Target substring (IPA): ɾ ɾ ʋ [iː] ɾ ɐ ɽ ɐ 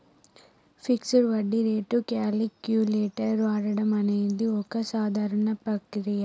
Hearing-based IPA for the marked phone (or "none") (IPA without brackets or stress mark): aː